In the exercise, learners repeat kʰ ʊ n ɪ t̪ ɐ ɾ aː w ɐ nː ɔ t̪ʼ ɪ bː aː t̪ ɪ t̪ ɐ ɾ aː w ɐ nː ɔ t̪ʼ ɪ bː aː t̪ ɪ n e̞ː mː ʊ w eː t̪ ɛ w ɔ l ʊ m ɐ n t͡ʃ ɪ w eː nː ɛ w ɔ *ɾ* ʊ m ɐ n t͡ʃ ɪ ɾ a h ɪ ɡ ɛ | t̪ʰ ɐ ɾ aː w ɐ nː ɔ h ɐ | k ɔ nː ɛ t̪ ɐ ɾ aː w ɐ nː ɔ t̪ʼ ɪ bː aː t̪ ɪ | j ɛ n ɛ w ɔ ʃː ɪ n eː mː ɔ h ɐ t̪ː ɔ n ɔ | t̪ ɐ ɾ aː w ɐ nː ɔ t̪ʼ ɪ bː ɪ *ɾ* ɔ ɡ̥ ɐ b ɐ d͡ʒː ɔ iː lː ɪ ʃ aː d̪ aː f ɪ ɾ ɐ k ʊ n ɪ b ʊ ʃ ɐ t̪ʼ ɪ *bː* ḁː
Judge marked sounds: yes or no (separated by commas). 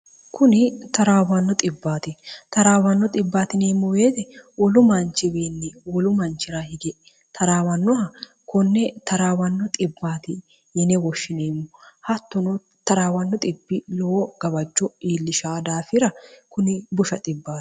no, no, yes